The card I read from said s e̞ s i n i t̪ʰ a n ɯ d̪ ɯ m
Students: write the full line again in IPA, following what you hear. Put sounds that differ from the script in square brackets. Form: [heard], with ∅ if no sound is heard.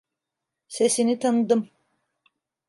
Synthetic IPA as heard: s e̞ s i n i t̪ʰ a n ɯ d̪ ɯ m